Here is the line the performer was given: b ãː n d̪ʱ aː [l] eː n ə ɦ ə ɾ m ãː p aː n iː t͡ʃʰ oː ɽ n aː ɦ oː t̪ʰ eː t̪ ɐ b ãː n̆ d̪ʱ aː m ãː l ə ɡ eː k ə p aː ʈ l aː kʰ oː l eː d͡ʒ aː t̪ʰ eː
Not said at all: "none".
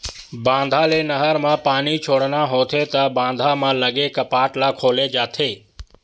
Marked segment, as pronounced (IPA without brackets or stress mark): l